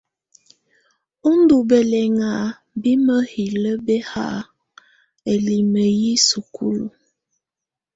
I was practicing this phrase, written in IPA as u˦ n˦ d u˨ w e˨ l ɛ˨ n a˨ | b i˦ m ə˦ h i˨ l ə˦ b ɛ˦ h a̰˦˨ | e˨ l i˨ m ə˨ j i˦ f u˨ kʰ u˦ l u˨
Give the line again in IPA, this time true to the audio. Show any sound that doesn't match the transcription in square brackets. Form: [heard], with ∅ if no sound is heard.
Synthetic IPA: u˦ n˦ d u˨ [b] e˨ l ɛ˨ [ŋ] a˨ | b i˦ m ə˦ h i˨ l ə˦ b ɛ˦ h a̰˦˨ | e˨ l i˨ m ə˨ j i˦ [s] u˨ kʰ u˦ l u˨